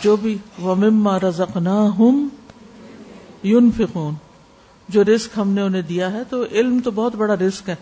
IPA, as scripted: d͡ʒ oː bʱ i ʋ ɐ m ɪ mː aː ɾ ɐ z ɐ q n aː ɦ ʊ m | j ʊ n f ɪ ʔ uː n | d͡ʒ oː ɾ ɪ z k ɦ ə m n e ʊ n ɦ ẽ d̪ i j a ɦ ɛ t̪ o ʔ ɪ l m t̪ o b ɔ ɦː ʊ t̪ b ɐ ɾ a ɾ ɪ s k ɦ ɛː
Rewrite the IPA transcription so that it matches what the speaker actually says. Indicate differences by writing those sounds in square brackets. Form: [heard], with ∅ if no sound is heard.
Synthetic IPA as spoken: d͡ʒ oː bʱ i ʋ ɐ m ɪ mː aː ɾ ɐ z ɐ q n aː ɦ ʊ m | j ʊ n f ɪ [q] uː n | d͡ʒ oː ɾ ɪ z k ɦ [ɐ] m n e ʊ n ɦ ẽ d̪ i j a ɦ ɛ t̪ o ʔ ɪ l m t̪ o b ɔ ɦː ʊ t̪ b ɐ [ɽ] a ɾ ɪ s k ɦ ɛː